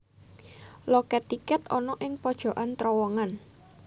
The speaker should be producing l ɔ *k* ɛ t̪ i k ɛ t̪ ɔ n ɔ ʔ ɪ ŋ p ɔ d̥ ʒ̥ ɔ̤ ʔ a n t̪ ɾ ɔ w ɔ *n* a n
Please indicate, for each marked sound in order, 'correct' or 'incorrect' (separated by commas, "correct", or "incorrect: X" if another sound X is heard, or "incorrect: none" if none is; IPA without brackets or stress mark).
correct, incorrect: ŋ